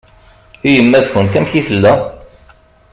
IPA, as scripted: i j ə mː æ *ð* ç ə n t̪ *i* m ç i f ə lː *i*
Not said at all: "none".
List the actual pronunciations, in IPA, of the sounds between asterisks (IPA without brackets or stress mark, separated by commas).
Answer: ð, æ, æ